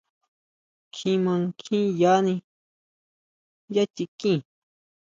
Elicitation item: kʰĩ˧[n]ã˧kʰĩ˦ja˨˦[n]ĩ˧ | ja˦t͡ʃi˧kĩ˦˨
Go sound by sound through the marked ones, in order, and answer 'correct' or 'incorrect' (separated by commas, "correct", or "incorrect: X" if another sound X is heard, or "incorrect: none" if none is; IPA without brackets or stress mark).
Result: incorrect: m, correct